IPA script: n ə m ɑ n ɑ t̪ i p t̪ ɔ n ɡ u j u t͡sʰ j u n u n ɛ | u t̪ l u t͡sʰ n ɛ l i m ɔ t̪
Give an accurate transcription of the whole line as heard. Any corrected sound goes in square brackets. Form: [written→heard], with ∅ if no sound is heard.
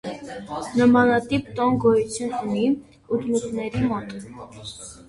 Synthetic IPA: n ə m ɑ n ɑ t̪ i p t̪ ɔ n ɡ [u→ɔ] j u t͡sʰ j u n u n [ɛ→i] | u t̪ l u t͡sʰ n ɛ [l→ɾ] i m ɔ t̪